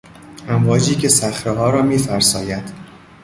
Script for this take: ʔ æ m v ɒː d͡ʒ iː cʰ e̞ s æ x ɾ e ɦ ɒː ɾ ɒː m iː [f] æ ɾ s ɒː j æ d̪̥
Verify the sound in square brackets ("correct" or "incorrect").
correct